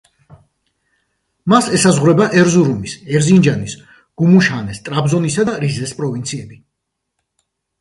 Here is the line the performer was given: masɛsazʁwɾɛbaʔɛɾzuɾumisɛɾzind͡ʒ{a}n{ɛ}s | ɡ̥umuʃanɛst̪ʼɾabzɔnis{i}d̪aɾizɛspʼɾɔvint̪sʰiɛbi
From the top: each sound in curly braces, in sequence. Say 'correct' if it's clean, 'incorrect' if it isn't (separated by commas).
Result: correct, incorrect, incorrect